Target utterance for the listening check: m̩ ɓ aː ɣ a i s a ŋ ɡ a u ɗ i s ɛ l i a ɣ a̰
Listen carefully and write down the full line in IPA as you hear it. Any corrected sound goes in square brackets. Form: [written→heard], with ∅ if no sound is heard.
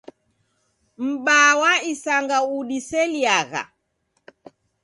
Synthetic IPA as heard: m̩ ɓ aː [ɣ→w] a i s a ŋ ɡ a u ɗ i s ɛ l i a ɣ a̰